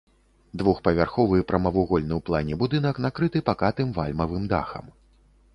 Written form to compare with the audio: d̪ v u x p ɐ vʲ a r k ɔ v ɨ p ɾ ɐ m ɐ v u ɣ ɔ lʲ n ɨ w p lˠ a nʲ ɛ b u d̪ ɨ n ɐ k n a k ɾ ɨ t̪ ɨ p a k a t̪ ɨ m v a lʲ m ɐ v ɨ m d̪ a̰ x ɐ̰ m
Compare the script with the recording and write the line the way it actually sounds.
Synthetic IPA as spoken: d̪ v u x p ɐ vʲ a r x ɔ v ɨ p ɾ ɐ m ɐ v u ɣ ɔ lʲ n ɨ w p lˠ a nʲ ɛ b u d̪ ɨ n ɐ k n a k ɾ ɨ t̪ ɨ p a k a t̪ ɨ m v a lʲ m ɐ v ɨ m d̪ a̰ x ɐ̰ m